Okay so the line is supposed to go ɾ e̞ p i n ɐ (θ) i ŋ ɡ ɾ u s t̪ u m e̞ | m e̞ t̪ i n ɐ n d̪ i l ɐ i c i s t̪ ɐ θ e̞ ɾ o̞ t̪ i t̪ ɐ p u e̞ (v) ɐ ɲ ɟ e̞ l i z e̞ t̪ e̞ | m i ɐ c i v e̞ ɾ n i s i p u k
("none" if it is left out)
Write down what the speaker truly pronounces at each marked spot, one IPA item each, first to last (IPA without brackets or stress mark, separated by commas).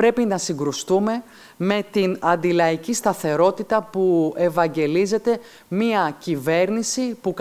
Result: s, v